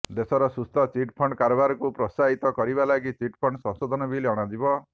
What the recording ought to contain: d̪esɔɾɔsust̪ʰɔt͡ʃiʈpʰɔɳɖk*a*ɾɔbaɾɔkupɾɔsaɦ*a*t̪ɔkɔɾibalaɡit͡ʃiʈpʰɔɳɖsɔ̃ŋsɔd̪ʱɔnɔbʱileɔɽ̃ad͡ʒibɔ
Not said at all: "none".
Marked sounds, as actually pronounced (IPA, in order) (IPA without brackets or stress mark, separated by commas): a, i